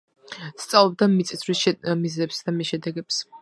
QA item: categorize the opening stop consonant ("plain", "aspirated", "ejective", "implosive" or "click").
plain